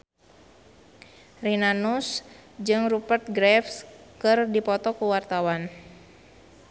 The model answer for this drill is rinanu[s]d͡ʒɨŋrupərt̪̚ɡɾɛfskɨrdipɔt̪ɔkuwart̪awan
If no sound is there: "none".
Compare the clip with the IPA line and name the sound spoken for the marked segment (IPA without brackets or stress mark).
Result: s